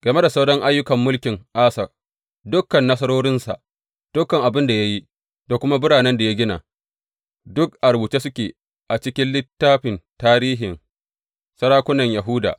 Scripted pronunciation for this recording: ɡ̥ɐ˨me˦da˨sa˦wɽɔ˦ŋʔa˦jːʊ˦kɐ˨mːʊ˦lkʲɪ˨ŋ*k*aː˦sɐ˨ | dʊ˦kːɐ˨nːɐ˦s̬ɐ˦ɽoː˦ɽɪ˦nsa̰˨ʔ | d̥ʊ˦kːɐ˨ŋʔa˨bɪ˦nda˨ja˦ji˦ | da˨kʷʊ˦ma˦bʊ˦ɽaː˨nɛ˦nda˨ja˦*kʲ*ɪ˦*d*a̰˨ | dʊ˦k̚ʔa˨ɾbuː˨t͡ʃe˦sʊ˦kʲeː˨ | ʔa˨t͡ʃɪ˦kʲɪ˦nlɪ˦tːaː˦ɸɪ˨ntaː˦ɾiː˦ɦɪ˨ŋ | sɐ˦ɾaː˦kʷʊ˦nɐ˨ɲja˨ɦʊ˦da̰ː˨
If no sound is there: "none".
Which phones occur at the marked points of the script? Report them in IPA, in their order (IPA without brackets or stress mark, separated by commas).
ʔ, ɡʲ, n